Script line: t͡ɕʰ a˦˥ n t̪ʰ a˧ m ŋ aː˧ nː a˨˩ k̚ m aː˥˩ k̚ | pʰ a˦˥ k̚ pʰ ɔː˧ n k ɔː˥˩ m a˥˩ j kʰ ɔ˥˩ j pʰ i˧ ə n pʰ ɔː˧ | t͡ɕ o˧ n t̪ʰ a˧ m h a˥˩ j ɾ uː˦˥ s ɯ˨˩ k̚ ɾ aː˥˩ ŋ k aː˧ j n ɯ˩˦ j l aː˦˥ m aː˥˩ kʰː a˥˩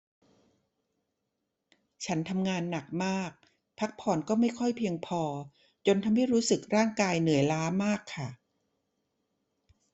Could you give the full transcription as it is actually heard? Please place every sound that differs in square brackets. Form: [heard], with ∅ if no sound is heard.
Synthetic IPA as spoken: t͡ɕʰ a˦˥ n t̪ʰ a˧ m ŋ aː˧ nː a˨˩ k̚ m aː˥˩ k̚ | pʰ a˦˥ k̚ pʰ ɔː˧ n k ɔː˥˩ m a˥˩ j kʰ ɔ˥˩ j pʰ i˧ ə [ŋ] pʰ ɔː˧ | t͡ɕ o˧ n t̪ʰ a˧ m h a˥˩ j ɾ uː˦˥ s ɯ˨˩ k̚ ɾ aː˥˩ ŋ k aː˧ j n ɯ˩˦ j l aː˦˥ m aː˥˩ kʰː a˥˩